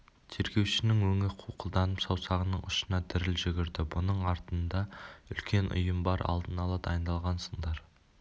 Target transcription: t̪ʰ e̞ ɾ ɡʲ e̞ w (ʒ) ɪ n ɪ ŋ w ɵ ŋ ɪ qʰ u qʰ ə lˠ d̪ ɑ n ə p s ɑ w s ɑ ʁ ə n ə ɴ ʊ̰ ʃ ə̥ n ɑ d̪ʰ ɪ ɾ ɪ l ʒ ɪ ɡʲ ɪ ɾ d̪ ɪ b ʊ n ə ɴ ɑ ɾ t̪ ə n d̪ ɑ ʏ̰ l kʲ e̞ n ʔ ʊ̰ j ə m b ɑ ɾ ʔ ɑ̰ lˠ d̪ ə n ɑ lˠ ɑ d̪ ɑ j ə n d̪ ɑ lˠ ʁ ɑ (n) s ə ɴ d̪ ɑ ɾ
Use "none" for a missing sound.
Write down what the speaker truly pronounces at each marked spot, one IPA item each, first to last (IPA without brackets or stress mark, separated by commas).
ʃ, n